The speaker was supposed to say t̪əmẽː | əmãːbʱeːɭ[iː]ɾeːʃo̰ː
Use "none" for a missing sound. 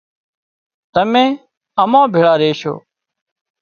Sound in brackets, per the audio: aː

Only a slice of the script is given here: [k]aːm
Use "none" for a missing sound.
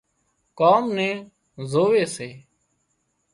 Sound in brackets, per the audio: k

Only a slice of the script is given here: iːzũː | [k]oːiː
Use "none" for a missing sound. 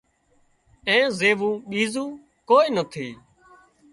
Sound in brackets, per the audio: k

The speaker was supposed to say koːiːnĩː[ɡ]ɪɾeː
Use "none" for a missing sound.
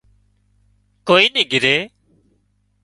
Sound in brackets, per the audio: ɡ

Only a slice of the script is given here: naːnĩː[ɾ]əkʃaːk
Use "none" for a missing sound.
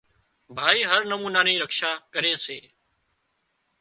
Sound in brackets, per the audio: ɾ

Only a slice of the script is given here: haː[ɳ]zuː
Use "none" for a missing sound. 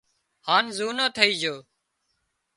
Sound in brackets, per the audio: n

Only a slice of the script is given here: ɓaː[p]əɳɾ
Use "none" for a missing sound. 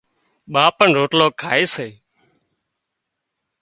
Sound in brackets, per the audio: p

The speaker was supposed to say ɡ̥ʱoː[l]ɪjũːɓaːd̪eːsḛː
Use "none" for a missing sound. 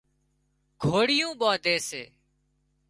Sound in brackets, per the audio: ɽ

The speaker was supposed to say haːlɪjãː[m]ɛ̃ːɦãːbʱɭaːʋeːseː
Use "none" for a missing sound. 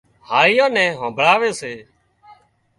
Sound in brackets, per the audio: n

